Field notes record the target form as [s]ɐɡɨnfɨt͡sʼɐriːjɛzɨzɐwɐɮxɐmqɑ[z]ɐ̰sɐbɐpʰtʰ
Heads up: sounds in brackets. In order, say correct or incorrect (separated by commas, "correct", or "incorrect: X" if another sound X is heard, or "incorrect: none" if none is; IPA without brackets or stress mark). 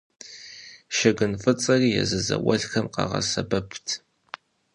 incorrect: ʃ, incorrect: ʁ